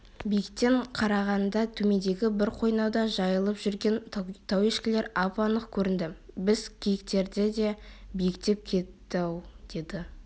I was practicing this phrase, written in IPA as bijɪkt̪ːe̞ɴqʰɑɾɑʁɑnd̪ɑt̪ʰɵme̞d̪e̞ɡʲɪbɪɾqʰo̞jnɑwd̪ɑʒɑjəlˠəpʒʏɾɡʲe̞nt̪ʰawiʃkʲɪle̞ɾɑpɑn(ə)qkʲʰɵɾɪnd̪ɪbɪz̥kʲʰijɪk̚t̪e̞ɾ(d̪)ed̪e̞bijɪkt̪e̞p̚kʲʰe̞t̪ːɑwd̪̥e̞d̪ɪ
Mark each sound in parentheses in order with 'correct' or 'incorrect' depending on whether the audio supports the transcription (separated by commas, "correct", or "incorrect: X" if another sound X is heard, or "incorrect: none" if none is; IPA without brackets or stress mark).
correct, correct